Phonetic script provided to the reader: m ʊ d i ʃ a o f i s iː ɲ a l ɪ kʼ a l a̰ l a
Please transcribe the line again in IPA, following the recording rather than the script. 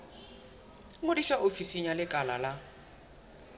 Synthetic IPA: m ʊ d i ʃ a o f i s i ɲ a l ɪ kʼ a l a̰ l a